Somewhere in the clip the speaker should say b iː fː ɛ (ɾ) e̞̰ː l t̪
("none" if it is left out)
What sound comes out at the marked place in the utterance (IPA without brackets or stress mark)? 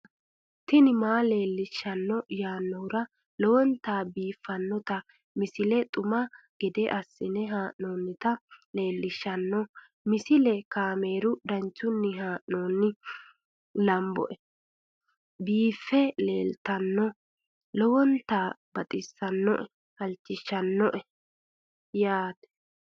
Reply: l